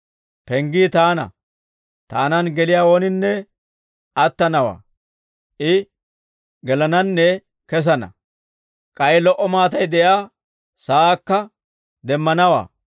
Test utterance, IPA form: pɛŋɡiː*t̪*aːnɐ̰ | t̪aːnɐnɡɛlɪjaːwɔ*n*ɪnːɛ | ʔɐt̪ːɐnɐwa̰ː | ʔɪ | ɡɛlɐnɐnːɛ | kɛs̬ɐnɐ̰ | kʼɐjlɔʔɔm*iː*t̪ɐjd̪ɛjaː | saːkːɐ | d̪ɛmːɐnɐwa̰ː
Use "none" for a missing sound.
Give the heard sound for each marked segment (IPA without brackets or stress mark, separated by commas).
t̪, n, aː